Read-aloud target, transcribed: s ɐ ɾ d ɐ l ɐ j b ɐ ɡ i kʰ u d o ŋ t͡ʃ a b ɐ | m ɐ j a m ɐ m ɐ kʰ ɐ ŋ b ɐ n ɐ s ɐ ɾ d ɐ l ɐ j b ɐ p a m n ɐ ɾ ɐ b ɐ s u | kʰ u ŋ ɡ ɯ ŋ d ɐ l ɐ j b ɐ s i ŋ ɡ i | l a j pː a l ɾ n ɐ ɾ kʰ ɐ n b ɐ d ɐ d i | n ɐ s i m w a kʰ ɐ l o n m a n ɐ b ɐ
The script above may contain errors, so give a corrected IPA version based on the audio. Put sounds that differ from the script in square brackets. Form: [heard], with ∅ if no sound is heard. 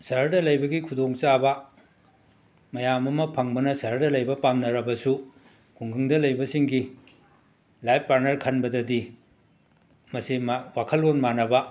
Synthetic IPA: s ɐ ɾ d ɐ l ɐ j b ɐ ɡ i kʰ u d o ŋ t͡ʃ a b ɐ | m ɐ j a m ɐ m ɐ [pʰ] ɐ ŋ b ɐ n ɐ s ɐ ɾ d ɐ l ɐ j b ɐ p a m n ɐ ɾ ɐ b ɐ s u | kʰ u ŋ ɡ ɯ ŋ d ɐ l ɐ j b ɐ s i ŋ ɡ i | l a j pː a [∅] ɾ n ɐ ɾ kʰ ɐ n b ɐ d ɐ d i | [m] ɐ s i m w a kʰ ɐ l o n m a n ɐ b ɐ